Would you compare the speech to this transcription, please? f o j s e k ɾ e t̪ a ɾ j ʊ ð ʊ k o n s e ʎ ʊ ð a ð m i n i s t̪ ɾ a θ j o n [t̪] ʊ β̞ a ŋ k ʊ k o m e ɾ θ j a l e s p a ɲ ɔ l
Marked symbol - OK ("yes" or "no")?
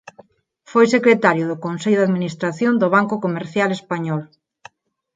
no